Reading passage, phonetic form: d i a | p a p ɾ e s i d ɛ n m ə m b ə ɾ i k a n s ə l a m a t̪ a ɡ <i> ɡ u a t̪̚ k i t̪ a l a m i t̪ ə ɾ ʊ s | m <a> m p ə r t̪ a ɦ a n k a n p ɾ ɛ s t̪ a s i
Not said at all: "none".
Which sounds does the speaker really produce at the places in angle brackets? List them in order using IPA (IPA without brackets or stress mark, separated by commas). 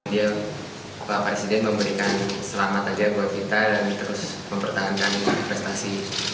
a, ə